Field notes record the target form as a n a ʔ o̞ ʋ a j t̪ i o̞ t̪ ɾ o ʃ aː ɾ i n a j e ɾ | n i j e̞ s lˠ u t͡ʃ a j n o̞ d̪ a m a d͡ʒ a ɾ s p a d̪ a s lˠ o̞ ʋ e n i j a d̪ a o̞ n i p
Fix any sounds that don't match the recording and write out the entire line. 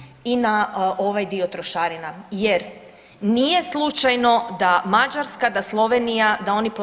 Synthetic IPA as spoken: i n a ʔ o̞ ʋ a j d̪ i o̞ t̪ ɾ o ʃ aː ɾ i n a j e ɾ | n i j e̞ s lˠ u t͡ʃ a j n o̞ d̪ a m a d͡ʒ a ɾ s k a d̪ a s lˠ o̞ ʋ e n i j a d̪ a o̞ n i p

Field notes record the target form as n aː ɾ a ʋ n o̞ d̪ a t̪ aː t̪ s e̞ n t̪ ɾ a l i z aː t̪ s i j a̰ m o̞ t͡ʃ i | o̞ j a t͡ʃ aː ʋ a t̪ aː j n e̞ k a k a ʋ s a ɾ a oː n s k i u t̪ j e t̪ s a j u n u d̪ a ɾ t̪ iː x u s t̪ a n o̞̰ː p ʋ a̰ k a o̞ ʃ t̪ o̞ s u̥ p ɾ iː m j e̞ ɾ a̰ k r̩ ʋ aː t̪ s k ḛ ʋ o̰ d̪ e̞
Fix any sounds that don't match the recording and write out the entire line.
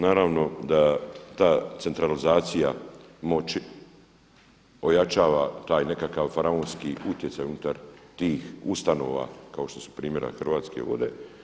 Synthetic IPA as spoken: n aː ɾ a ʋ n o̞ d̪ a t̪ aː t̪ s e̞ n t̪ ɾ a l i z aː t̪ s i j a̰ m o̞ t͡ʃ i | o̞ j a t͡ʃ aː ʋ a t̪ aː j n e̞ k a k a ʋ f a ɾ a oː n s k i u t̪ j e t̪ s a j u n u t̪ a ɾ t̪ iː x u s t̪ a n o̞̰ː ʋ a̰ k a o̞ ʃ t̪ o̞ s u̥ p ɾ iː m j e̞ ɾ a̰ x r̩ ʋ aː t̪ s k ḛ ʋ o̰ d̪ e̞

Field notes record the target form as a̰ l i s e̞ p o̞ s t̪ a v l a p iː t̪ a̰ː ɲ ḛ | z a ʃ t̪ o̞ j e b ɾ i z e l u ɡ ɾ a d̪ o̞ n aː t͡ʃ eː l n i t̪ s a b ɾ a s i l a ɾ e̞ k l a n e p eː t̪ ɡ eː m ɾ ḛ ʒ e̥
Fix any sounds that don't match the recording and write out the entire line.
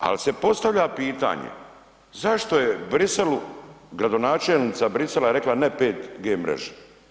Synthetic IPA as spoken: a̰ l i s e̞ p o̞ s t̪ a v ʎ a p iː t̪ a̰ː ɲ ḛ | z a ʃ t̪ o̞ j e b ɾ i s e l u ɡ ɾ a d̪ o̞ n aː t͡ʃ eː l n i t̪ s a b ɾ i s e l a ɾ e̞ k l a n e p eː t̪ ɡ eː m ɾ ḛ ʒ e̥

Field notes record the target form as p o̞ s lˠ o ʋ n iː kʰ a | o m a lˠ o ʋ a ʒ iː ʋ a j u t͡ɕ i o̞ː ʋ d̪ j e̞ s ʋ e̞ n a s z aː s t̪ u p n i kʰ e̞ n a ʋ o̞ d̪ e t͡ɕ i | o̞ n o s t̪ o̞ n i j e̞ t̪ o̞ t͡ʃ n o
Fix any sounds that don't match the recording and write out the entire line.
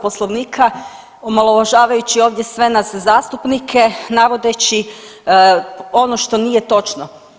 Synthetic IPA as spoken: p o̞ s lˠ o ʋ n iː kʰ a | o m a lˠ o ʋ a ʒ aː ʋ a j u t͡ɕ i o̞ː ʋ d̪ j e̞ s ʋ e̞ n a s z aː s t̪ u p n i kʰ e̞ n a ʋ o̞ d̪ e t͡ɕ i | o̞ n o ʃ t̪ o̞ n i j e̞ t̪ o̞ t͡ʃ n o

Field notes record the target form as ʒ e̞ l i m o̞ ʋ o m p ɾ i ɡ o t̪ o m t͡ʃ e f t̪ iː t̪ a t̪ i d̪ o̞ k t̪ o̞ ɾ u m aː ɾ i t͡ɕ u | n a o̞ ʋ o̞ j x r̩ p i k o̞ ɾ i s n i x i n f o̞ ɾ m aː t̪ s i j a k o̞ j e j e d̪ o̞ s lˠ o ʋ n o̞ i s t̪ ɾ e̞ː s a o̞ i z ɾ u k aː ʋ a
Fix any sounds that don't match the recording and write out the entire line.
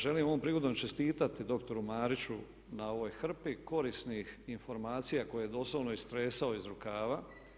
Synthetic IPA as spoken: ʒ e̞ l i m o̞ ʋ o m p ɾ i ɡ o d̪ o m t͡ʃ e s t̪ iː t̪ a t̪ i d̪ o̞ k t̪ o̞ ɾ u m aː ɾ i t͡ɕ u | n a o̞ ʋ o̞ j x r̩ p i k o̞ ɾ i s n i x i n f o̞ ɾ m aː t̪ s i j a k o̞ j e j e d̪ o̞ s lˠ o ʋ n o̞ i s t̪ ɾ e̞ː s a o̞ i z ɾ u k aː ʋ a

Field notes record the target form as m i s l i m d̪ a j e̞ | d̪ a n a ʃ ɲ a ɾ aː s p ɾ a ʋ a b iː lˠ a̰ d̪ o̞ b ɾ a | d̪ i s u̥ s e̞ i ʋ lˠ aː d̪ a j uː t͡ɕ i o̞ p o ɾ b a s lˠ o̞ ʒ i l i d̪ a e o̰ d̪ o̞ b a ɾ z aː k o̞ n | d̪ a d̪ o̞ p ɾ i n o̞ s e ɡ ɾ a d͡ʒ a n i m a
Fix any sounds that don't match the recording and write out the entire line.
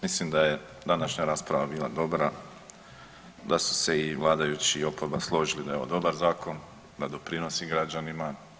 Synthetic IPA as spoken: m i s l i m d̪ a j e̞ | d̪ a n a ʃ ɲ a ɾ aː s p ɾ a ʋ a b iː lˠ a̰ d̪ o̞ b ɾ a | d̪ a s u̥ s e̞ i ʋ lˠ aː d̪ a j u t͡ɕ i o̞ p o ɾ b a s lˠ o̞ ʒ i l i d̪ a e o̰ d̪ o̞ b a ɾ z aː k o̞ n | d̪ a d̪ o̞ p ɾ i n o̞ s i ɡ ɾ a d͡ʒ a n i m a

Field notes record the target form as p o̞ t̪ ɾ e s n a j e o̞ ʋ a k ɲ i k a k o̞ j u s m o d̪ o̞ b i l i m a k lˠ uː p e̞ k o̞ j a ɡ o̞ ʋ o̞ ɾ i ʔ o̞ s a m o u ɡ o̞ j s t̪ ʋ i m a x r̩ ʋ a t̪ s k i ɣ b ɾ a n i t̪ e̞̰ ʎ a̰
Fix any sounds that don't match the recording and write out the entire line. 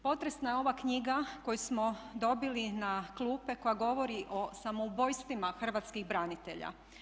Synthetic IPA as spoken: p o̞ t̪ ɾ e s n a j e o̞ ʋ a k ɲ i ɡ a k o̞ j u s m o d̪ o̞ b i l i n a k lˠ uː p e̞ k o̞ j a ɡ o̞ ʋ o̞ ɾ i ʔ o̞ s a m o u b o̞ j s t̪ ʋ i m a x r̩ ʋ a t̪ s k i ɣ b ɾ a n i t̪ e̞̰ ʎ a̰

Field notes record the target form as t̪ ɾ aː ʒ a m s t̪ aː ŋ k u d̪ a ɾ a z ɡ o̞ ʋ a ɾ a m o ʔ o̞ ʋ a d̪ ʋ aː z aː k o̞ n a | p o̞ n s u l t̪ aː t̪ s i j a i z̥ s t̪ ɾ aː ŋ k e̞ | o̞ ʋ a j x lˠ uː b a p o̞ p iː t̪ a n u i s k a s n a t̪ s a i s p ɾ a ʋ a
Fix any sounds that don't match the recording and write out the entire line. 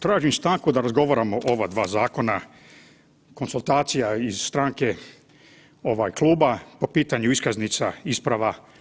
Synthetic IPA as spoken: t̪ ɾ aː ʒ i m s t̪ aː ŋ k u d̪ a ɾ a z ɡ o̞ ʋ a ɾ a m o ʔ o̞ ʋ a d̪ ʋ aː z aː k o̞ n a | k o̞ n s u l t̪ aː t̪ s i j a i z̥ s t̪ ɾ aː ŋ k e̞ | o̞ ʋ a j k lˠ uː b a p o̞ p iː t̪ a ɲ u i s k a z n i t̪ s a i s p ɾ a ʋ a

